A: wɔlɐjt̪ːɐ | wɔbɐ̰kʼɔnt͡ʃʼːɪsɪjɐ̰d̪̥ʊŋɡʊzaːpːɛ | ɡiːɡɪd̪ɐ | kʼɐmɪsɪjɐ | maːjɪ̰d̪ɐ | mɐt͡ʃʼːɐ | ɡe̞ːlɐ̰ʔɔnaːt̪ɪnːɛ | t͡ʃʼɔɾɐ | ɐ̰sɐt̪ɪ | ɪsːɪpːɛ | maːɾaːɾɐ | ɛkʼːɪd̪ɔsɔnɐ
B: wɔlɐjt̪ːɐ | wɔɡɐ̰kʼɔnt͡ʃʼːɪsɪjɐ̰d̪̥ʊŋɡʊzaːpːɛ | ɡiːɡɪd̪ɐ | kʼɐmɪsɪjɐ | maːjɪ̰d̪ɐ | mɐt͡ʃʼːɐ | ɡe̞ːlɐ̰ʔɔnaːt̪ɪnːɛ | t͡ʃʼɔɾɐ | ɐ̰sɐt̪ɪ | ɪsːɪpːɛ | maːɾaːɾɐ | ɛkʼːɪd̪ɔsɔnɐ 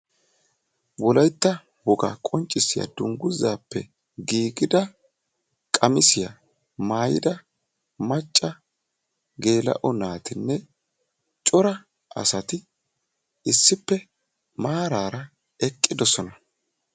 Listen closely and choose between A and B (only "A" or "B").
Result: B